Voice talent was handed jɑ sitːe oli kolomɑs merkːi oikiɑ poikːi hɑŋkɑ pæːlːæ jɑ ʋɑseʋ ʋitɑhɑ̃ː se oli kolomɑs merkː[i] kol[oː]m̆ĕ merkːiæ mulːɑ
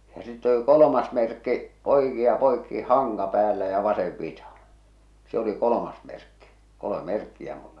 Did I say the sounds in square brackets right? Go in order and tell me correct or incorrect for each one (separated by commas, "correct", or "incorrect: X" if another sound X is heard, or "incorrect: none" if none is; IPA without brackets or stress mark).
correct, incorrect: o